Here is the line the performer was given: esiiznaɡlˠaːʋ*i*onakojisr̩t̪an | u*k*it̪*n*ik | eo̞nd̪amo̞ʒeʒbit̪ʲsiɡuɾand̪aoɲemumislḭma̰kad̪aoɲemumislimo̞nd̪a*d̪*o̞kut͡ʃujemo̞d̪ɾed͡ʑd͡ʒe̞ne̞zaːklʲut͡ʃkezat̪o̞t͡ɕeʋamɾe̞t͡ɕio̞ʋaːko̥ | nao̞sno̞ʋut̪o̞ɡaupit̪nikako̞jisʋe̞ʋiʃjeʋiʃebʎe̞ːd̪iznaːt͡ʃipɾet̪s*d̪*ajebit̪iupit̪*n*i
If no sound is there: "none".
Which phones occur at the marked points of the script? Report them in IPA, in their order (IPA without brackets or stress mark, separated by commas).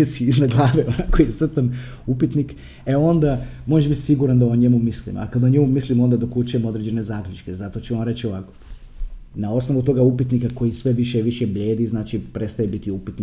e, p, n, d̪, t̪, n